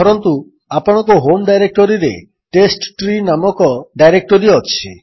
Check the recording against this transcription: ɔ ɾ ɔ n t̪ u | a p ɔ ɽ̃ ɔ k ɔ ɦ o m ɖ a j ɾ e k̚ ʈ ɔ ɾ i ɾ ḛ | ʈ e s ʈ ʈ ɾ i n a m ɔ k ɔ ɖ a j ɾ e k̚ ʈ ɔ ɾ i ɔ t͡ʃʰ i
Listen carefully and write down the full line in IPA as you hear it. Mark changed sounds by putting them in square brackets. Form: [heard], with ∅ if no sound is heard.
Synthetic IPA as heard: ɔ ɾ ɔ n t̪ u | a p ɔ ɽ̃ ɔ k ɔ ɦ o m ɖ a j ɾ e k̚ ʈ ɔ ɾ i ɾ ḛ | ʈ e s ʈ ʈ ɾ i n a m ɔ k ɔ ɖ a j ɾ e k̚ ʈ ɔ ɾ i ɔ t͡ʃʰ i